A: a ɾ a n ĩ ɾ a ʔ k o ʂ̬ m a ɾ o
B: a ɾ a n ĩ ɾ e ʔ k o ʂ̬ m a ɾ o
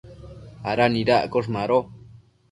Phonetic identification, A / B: A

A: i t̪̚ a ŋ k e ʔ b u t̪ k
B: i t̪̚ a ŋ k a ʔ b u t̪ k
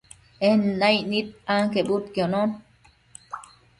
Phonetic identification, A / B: A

